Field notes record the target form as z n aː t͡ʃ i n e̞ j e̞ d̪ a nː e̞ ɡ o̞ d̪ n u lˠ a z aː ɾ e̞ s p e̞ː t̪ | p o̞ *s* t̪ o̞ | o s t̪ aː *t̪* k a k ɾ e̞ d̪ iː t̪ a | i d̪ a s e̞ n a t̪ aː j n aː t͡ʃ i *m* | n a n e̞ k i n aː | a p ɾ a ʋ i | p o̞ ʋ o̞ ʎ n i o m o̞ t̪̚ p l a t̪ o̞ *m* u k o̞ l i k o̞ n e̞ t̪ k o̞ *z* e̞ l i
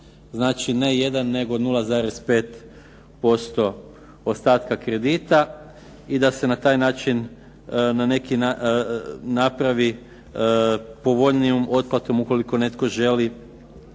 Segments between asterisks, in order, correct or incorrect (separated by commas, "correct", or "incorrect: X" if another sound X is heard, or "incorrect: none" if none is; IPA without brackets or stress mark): correct, correct, incorrect: n, correct, incorrect: ʒ